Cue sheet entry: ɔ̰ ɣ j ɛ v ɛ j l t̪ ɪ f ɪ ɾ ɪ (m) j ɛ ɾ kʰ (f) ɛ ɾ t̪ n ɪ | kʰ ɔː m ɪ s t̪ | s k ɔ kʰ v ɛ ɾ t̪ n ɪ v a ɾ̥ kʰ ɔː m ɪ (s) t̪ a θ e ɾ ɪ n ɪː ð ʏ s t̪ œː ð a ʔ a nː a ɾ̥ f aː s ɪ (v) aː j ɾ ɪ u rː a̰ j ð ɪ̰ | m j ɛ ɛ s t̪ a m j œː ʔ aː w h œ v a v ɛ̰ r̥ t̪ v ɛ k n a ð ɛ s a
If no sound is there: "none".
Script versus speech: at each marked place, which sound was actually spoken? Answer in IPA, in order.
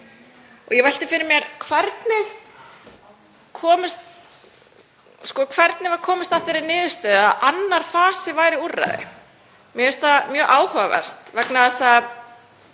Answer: m, v, s, v

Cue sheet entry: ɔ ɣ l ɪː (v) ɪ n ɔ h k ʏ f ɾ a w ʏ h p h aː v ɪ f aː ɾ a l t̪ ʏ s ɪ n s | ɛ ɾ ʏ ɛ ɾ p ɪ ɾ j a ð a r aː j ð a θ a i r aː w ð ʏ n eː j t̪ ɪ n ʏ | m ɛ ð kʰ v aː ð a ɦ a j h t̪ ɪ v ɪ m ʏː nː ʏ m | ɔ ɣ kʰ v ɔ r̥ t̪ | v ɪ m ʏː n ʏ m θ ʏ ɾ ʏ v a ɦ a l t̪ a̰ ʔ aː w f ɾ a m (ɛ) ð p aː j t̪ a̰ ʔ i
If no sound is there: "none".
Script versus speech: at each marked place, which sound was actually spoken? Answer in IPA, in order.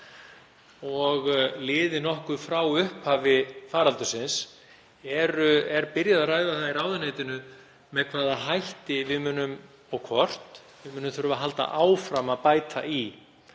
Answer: ð, a

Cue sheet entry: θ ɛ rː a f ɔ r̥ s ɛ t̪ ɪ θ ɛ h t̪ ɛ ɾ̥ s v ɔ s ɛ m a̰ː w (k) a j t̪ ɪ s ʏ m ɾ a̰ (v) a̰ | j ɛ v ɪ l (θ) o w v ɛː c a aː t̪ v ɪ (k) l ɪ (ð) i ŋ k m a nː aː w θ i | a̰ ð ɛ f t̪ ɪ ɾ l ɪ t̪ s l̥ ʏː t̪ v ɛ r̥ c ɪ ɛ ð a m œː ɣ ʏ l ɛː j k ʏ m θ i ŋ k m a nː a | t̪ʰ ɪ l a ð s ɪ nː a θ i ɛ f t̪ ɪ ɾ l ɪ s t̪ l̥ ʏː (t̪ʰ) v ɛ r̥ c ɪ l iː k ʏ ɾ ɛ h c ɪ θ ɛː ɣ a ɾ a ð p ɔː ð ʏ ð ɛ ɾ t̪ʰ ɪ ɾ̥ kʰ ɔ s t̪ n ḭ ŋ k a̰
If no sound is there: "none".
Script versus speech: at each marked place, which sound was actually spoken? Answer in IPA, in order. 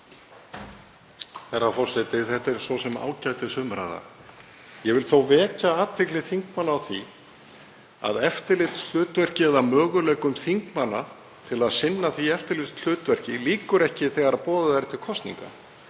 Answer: c, ð, θ, k, θ, t̪

